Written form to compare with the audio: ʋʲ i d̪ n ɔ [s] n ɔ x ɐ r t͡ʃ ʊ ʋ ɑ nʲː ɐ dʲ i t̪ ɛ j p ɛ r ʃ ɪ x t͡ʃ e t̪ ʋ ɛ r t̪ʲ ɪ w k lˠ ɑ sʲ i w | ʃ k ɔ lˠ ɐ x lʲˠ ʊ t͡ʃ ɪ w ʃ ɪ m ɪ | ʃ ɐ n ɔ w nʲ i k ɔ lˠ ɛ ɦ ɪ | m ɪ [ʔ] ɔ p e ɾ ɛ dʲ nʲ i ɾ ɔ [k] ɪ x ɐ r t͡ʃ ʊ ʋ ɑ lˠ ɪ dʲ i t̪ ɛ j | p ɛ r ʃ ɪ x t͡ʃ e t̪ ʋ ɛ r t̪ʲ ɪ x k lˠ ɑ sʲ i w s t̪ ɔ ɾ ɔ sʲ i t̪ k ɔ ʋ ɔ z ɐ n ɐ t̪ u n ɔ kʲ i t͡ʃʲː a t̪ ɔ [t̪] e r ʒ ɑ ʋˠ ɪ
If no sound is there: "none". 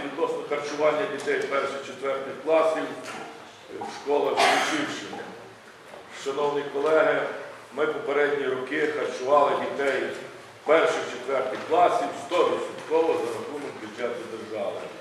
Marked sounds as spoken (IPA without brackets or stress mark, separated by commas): s, p, k, d̪